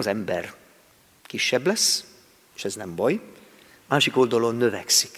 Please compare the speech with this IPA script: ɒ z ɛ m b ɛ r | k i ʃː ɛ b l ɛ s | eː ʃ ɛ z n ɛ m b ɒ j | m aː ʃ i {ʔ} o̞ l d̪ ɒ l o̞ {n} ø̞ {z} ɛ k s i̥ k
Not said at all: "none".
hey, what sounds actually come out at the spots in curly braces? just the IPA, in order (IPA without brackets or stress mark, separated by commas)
k, nː, v